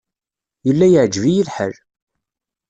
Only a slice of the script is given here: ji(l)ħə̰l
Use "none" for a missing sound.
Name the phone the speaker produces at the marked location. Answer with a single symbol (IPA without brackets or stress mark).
l